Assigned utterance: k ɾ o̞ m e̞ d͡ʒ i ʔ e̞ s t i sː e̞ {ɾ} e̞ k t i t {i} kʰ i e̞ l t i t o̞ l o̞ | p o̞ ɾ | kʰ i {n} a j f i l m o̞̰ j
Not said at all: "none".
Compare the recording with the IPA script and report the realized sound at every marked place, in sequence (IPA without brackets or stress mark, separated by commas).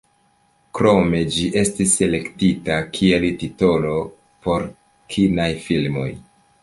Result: l, a, n